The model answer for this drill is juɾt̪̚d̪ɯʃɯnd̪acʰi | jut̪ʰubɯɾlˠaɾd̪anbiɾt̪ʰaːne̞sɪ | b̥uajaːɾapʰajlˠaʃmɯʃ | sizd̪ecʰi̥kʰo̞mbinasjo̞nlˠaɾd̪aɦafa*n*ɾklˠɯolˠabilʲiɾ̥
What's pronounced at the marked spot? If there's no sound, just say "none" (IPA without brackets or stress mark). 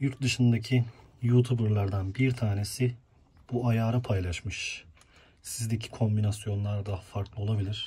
none